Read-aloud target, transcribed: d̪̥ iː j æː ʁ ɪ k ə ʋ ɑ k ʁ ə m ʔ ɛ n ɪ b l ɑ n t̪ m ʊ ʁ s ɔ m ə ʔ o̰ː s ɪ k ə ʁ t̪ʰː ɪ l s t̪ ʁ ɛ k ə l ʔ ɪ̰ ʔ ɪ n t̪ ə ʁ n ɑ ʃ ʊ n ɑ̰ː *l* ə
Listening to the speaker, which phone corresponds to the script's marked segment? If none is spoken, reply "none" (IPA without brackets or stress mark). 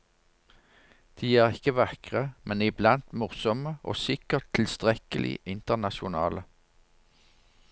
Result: l